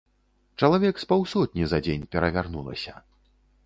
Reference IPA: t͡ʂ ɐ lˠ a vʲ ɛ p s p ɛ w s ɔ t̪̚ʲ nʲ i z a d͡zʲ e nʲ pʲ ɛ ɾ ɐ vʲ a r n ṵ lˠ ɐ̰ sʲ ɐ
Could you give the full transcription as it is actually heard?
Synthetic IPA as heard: t͡ʂ ɐ lˠ a vʲ ɛ k s p a w s ɔ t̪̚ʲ nʲ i z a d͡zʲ e nʲ pʲ ɛ ɾ ɐ vʲ a r n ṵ lˠ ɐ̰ sʲ ɐ